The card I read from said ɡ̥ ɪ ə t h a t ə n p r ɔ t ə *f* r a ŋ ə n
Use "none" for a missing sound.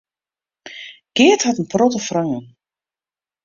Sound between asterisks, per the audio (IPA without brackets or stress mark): f